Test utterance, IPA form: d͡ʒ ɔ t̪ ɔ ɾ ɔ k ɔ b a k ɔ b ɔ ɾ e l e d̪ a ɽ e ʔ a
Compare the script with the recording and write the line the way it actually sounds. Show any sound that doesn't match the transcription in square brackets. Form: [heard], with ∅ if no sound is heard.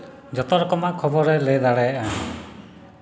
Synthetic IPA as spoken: d͡ʒ ɔ t̪ ɔ ɾ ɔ k ɔ [m] a [kʰ] ɔ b ɔ ɾ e l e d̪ a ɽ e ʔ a